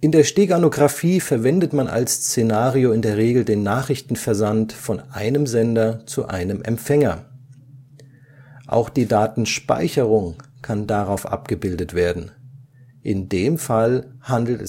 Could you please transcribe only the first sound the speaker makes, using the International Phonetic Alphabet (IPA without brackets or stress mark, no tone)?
ʔ